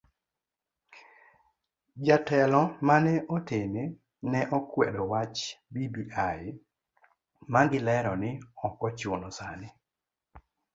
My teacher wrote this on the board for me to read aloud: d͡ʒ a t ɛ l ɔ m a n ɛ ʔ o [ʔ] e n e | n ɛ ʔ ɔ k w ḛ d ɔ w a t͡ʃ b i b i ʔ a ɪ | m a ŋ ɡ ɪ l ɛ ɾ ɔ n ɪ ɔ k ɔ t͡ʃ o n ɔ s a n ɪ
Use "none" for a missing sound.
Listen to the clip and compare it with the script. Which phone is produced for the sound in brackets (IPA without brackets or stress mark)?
t